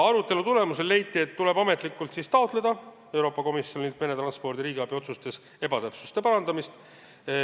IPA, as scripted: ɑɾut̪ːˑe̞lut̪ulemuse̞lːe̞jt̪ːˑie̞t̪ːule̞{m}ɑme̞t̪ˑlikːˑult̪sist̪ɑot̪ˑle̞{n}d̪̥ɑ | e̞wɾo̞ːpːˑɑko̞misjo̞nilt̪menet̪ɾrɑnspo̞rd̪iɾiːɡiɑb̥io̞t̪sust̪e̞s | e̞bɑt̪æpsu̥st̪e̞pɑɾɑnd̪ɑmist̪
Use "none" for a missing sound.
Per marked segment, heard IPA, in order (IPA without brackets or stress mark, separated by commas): b, none